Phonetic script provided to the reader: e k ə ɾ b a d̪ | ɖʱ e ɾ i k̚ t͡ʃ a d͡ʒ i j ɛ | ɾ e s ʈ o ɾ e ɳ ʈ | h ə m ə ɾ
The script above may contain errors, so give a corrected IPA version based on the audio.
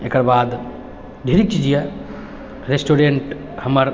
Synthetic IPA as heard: e k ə ɾ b a d̪ | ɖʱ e ɾ i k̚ t͡ʃ i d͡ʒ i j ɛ | ɾ e s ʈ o ɾ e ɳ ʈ | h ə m ə ɾ